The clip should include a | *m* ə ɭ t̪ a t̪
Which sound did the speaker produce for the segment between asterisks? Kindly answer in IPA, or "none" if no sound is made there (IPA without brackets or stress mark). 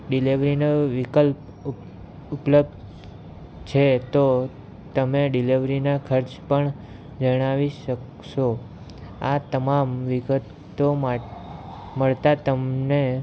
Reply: m